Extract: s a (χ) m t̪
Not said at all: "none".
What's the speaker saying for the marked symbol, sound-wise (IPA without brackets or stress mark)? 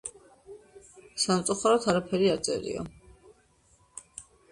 none